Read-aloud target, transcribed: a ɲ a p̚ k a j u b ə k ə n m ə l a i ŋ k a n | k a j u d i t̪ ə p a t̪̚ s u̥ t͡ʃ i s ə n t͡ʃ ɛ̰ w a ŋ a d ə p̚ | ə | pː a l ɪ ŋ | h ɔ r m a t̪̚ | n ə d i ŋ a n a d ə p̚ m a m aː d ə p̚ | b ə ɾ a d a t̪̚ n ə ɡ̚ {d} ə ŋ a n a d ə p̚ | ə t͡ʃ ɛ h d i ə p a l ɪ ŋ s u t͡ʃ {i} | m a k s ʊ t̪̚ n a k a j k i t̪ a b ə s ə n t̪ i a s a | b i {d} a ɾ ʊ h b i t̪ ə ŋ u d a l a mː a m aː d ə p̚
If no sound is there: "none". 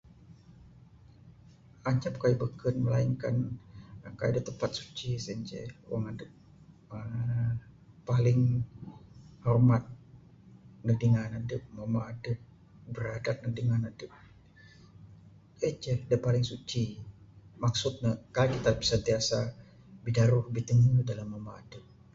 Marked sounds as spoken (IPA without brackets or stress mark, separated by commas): d, i, d